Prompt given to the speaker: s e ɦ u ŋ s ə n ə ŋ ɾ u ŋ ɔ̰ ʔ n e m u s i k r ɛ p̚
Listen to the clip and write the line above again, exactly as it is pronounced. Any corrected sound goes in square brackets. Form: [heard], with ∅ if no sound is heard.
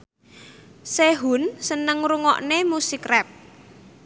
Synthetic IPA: s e ɦ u [n] s ə n ə ŋ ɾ u ŋ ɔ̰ ʔ n e m u s i k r ɛ p̚